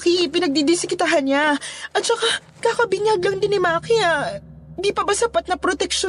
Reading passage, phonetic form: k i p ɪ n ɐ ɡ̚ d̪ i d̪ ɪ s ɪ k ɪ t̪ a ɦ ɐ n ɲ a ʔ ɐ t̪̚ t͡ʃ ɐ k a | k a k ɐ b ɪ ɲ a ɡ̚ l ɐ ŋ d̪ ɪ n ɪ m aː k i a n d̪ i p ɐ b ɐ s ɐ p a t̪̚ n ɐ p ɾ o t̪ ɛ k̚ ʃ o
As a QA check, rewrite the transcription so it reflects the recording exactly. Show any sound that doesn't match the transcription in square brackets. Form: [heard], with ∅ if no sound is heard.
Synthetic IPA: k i p ɪ n ɐ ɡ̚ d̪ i d̪ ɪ s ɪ k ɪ t̪ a ɦ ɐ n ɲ a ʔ ɐ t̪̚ t͡ʃ ɐ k a | k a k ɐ b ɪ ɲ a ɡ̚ l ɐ ŋ d̪ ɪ n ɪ m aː k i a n d̪ i p ɐ b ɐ s ɐ p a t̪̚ n ɐ p ɾ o t̪ ɛ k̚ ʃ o